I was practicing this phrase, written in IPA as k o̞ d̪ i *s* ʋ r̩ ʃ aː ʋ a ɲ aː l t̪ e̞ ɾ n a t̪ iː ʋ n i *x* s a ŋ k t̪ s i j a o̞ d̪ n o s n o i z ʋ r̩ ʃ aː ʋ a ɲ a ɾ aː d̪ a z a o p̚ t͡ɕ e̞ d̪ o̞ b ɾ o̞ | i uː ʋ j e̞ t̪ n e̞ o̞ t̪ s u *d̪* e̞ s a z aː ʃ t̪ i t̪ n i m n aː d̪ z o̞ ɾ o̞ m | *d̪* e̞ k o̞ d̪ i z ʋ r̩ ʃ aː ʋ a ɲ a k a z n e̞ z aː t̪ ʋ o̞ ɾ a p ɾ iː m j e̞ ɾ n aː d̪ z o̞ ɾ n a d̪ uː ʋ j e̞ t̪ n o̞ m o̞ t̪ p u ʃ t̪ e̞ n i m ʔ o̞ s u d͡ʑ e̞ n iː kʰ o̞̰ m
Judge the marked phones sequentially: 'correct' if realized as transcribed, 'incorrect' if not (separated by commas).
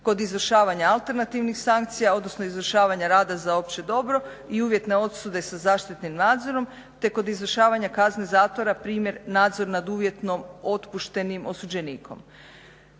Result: incorrect, correct, correct, incorrect